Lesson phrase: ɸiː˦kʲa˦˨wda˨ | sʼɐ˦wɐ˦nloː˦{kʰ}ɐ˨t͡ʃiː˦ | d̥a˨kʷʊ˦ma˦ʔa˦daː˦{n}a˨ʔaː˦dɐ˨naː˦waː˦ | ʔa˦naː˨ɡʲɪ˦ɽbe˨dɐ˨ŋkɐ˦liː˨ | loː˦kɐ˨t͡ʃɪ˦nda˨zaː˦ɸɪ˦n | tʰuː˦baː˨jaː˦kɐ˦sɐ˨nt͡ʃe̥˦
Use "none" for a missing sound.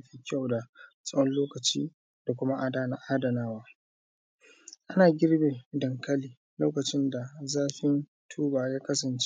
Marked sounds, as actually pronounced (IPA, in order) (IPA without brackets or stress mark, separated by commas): k, n